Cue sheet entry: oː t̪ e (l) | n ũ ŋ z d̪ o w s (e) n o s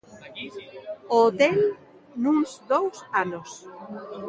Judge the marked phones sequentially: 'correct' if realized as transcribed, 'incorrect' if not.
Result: correct, incorrect: a

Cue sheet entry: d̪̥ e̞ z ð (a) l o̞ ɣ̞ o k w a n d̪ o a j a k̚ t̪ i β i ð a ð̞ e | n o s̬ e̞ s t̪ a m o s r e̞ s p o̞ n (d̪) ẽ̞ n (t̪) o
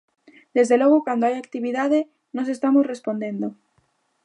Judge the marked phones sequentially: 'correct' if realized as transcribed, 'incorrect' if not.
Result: incorrect: e, correct, incorrect: d̪

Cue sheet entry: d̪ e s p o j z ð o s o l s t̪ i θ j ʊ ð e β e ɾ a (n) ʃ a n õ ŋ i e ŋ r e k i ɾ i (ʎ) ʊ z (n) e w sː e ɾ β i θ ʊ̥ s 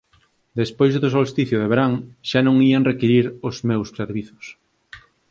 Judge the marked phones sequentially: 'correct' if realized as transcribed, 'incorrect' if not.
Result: incorrect: ŋ, incorrect: ɾ, incorrect: m

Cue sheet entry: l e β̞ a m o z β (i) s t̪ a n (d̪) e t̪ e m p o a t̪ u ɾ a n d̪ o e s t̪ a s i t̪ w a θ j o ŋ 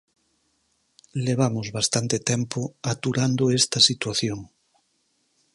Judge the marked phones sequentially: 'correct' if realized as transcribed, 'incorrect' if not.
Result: incorrect: a, incorrect: t̪

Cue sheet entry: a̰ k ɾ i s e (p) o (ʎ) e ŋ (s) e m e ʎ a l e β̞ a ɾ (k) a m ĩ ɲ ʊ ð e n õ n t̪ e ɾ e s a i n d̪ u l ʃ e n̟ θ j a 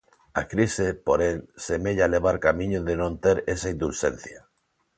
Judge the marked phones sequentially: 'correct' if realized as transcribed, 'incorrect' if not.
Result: correct, incorrect: ɾ, correct, correct

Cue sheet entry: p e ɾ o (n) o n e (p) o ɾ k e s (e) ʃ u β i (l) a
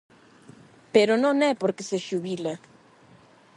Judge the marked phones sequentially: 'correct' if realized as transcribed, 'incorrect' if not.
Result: correct, correct, correct, correct

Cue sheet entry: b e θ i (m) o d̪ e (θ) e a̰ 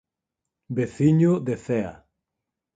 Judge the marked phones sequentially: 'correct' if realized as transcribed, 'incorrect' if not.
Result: incorrect: ɲ, correct

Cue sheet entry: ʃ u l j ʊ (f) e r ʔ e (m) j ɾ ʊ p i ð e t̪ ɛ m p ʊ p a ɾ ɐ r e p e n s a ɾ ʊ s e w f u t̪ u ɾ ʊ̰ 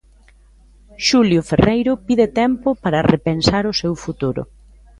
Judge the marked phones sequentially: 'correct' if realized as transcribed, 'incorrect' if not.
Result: correct, incorrect: none

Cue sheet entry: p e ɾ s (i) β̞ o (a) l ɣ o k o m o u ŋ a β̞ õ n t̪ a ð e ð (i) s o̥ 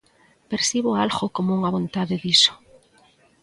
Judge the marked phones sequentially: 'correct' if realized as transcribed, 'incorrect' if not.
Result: correct, correct, correct

